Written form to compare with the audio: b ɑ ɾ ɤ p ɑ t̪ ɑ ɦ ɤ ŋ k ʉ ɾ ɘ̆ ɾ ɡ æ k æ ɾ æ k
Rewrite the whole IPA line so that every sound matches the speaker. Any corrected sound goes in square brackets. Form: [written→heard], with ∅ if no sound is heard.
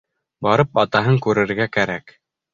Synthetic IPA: b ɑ ɾ ɤ p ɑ t̪ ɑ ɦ ɤ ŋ k ʉ ɾ ɘ̆ ɾ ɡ æ k æ ɾ æ k

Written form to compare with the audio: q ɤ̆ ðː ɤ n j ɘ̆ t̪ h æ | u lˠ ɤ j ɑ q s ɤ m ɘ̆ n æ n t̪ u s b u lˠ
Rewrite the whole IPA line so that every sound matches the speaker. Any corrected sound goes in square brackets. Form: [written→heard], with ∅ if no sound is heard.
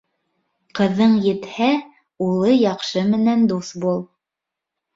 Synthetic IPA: q ɤ̆ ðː ɤ [n→ɴ] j ɘ̆ t̪ h æ | u lˠ ɤ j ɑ q [s→ʃ] ɤ m ɘ̆ n æ n [t̪→d̪] u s b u lˠ

